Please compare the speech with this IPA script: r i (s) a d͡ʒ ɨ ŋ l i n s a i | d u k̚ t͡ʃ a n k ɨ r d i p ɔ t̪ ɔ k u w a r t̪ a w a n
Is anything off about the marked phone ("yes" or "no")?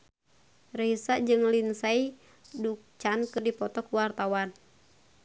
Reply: no